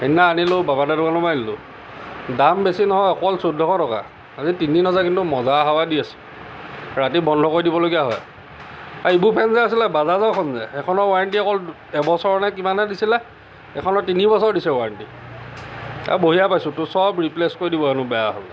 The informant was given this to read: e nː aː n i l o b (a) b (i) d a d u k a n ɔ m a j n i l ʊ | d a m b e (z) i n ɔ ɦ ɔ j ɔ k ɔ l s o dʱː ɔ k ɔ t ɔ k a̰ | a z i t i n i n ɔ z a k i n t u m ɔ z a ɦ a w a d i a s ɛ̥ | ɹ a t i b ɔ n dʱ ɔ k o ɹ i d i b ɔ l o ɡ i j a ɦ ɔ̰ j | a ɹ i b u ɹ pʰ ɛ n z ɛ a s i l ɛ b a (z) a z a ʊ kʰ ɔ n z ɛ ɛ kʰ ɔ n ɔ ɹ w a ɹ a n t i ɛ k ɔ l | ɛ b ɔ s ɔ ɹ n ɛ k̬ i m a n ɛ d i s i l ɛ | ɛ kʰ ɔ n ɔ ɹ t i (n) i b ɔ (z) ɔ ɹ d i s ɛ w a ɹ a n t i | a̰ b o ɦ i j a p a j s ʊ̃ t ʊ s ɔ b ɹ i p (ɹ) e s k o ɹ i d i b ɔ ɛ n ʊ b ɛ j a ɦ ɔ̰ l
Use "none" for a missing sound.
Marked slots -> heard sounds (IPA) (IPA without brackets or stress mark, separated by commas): a, a, s, z, n, s, l